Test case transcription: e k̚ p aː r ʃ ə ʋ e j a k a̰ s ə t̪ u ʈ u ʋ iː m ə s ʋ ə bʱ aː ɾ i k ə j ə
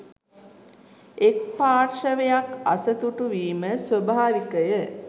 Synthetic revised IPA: e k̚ p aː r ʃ ə ʋ e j a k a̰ s ə t̪ u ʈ u ʋ iː m ə s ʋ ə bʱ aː ɾ i k ə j ə